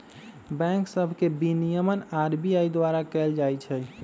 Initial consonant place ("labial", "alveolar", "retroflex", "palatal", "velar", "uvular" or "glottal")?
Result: labial